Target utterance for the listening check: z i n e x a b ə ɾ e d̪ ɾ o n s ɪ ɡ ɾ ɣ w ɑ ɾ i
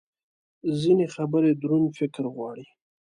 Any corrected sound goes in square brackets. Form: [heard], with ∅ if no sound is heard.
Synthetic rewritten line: z i n e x a b ə ɾ e d̪ ɾ [u] n [f] ɪ [k] ɾ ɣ w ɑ [ɽ] i